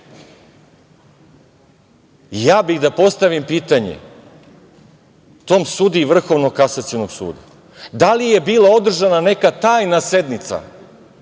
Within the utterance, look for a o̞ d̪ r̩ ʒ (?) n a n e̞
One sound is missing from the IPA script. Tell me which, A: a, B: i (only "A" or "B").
A